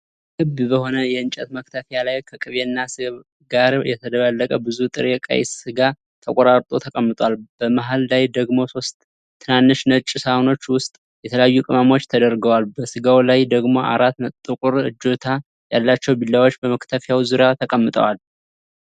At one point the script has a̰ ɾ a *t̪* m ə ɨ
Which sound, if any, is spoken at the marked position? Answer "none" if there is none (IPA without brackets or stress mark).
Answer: t̪